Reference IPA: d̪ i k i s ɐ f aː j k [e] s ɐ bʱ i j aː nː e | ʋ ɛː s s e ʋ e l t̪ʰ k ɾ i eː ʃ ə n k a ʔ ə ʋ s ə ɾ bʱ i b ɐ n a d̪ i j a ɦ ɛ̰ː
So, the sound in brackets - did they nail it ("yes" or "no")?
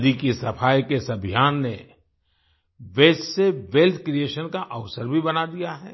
yes